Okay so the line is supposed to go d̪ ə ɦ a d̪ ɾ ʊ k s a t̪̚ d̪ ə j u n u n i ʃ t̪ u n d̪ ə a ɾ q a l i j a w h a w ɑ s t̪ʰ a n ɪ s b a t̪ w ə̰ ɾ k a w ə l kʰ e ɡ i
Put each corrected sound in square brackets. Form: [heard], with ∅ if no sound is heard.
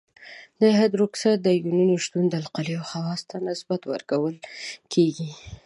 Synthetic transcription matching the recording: d̪ ə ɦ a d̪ ɾ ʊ k s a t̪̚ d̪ ə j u n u n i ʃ t̪ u n d̪ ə a [l] q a l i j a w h a w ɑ s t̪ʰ a n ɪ s b a t̪ w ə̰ ɾ k a w ə l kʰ e ɡ i